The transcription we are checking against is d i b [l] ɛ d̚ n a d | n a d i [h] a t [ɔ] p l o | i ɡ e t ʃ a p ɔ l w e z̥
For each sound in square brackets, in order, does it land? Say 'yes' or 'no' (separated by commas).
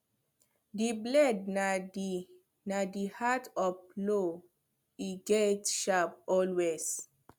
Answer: yes, yes, yes